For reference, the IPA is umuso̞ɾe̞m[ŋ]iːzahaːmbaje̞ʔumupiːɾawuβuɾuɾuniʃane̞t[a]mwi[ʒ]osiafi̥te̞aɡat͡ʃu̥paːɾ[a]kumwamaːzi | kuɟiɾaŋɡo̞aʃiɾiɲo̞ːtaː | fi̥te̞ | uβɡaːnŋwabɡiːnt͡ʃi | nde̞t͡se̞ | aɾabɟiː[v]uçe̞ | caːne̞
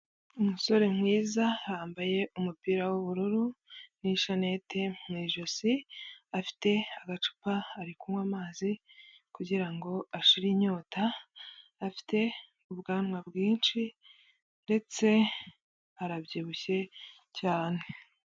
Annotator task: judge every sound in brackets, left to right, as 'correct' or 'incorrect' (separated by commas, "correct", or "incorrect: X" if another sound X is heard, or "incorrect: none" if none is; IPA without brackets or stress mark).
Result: correct, incorrect: e, correct, incorrect: i, incorrect: β